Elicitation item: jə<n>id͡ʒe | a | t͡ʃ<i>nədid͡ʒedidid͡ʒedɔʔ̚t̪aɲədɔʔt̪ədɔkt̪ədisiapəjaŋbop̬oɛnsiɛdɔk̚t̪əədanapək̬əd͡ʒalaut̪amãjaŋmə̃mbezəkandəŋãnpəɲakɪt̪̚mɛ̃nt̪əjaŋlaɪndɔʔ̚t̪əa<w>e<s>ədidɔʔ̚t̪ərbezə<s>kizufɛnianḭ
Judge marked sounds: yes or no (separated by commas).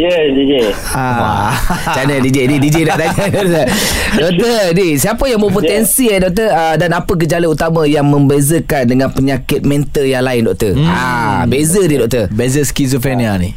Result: no, no, no, no, yes